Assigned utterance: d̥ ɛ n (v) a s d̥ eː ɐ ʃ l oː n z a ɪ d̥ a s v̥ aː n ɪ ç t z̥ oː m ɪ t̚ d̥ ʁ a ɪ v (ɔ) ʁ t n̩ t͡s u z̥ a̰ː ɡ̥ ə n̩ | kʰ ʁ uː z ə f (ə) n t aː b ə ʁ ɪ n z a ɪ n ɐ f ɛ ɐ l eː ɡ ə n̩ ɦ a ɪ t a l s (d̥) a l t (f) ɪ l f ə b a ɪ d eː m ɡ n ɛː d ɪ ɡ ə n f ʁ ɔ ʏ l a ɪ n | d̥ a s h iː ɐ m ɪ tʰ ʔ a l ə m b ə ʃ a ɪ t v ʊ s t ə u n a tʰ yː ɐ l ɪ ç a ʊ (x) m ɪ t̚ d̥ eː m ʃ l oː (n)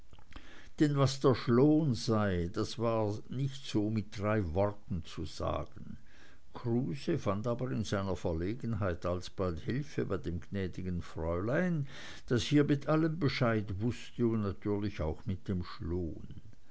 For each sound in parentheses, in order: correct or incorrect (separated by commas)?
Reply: correct, correct, incorrect, incorrect, incorrect, correct, correct